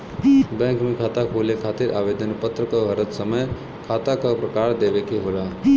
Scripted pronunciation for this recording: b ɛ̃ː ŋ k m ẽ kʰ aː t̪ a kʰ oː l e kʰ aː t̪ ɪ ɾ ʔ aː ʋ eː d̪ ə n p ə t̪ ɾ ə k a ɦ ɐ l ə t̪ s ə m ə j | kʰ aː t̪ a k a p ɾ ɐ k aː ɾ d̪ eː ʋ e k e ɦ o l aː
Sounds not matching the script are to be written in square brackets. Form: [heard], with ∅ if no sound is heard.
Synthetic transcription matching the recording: b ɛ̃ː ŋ k m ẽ kʰ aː t̪ a kʰ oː l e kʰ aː t̪ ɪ ɾ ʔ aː ʋ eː d̪ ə n p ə t̪ ɾ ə k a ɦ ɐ [ɾ] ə t̪ s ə m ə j | kʰ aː t̪ a k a p ɾ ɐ k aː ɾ d̪ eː ʋ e k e ɦ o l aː